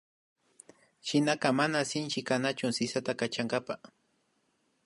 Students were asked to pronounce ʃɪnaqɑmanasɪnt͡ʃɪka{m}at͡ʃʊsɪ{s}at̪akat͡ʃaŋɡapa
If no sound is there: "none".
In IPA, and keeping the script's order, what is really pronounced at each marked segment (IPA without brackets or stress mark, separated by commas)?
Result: n, s